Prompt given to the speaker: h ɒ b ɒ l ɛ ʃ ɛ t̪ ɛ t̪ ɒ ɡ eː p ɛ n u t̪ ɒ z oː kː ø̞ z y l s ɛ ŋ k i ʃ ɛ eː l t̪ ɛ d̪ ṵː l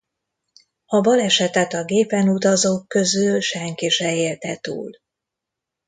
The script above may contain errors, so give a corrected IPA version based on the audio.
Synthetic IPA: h ɒ b ɒ l ɛ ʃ ɛ t̪ ɛ t̪ ɒ ɡ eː p ɛ n u t̪ ɒ z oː kː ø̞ z y l ʃ ɛ ŋ k i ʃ ɛ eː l t̪ ɛ t̪ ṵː l